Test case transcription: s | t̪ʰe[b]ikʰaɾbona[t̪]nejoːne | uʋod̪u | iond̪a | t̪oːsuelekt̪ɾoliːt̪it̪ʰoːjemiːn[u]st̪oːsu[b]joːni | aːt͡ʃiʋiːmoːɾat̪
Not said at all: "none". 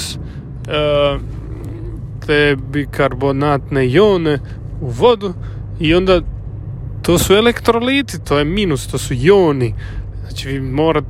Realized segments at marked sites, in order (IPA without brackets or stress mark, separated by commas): b, t̪, u, none